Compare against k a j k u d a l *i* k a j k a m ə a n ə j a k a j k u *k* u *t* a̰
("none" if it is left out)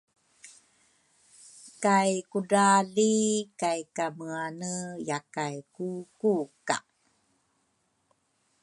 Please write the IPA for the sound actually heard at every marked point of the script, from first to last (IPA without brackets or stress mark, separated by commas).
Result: i, k, k